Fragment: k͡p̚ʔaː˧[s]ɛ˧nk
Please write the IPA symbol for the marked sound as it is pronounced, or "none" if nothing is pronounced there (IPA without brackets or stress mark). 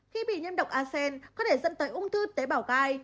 s